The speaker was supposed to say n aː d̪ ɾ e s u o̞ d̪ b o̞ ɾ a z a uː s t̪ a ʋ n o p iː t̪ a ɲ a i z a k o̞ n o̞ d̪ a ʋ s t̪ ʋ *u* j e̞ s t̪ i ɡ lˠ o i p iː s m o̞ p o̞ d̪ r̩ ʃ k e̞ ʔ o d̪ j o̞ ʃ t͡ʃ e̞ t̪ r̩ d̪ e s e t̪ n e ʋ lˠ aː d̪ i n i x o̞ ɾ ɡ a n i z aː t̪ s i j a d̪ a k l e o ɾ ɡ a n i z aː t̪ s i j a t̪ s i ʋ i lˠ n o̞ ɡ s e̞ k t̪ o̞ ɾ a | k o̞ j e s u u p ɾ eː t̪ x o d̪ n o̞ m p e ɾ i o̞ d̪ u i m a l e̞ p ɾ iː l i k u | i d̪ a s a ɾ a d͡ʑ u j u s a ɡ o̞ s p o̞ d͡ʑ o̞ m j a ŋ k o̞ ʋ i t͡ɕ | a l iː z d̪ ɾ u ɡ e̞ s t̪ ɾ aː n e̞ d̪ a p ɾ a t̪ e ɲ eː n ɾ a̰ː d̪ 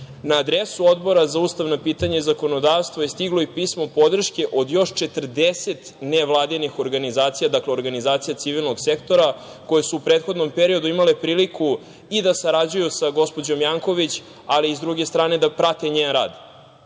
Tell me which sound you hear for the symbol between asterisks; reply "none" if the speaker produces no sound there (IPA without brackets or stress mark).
o